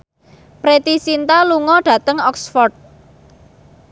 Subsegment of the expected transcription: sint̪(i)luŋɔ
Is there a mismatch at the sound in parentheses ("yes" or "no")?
yes